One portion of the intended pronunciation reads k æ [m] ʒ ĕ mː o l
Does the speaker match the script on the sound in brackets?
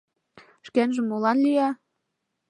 no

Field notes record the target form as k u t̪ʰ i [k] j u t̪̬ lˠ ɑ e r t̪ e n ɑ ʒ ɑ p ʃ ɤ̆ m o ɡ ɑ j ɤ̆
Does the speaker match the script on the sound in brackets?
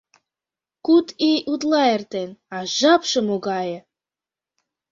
no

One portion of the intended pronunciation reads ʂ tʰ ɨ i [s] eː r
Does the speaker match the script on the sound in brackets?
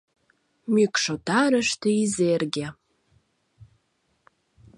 no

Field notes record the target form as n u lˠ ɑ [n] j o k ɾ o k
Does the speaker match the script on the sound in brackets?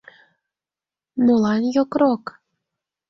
yes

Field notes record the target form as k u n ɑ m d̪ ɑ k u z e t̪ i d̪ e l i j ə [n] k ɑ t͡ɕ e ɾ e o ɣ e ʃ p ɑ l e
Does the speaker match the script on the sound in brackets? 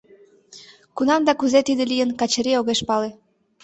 yes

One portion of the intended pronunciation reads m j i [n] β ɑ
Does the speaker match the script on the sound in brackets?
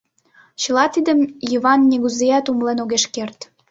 no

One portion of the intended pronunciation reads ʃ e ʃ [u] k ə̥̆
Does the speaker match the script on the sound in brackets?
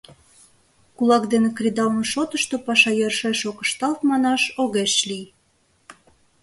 no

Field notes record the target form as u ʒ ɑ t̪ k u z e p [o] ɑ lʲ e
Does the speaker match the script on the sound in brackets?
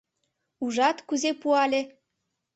no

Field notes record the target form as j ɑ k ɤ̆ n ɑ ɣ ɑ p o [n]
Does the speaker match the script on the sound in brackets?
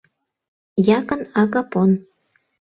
yes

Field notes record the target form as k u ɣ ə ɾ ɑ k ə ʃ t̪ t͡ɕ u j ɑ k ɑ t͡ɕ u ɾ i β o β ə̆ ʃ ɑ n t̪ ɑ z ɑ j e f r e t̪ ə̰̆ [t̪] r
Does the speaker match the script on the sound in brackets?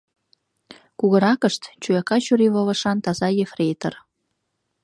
no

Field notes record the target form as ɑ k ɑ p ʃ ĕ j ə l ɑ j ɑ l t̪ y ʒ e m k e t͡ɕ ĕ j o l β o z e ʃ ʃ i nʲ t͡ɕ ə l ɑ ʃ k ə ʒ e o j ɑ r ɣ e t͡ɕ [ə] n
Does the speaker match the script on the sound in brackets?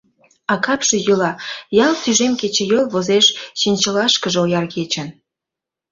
yes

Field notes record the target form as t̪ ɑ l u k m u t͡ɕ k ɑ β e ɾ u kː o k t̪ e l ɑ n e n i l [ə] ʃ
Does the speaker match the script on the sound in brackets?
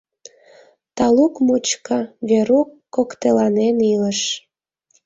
yes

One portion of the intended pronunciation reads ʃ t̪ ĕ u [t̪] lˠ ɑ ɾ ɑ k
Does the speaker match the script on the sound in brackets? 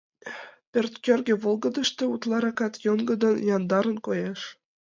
yes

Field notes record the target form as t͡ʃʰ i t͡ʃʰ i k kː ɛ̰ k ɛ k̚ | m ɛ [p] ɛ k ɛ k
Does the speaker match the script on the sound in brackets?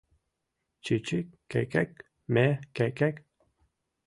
no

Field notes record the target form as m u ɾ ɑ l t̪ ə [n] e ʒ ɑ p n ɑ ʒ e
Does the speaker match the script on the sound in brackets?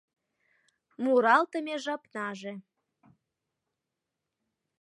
no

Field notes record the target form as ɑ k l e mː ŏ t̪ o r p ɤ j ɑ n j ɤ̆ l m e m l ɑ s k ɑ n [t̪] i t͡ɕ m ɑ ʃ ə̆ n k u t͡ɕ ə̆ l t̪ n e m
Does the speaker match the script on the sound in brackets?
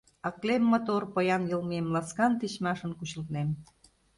yes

